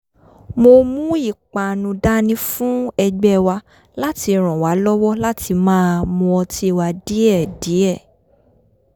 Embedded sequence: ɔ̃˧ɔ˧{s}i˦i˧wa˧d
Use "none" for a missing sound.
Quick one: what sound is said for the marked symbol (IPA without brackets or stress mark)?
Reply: t